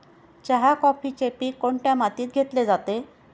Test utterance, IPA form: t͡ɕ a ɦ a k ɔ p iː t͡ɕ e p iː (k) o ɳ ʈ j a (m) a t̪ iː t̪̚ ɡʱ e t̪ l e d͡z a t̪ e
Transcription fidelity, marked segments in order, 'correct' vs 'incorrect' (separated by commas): correct, correct